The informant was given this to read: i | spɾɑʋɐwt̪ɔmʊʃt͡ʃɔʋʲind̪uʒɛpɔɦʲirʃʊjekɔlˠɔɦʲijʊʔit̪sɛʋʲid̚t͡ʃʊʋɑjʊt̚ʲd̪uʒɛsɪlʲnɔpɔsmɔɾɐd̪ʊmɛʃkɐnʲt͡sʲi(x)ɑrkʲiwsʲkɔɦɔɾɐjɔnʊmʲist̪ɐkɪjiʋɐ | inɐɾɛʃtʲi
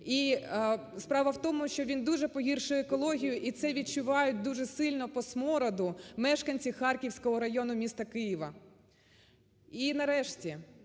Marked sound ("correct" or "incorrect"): correct